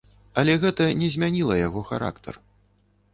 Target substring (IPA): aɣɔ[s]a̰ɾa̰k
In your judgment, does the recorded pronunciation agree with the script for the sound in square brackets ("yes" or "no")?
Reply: no